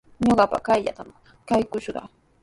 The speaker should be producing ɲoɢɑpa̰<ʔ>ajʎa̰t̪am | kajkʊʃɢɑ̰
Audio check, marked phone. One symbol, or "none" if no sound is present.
k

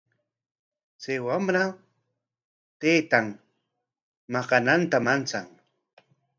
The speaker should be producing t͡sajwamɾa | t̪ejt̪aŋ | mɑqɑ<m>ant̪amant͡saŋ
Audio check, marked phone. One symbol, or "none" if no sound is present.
n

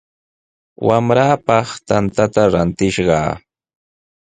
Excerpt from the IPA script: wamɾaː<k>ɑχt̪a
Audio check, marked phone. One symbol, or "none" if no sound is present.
p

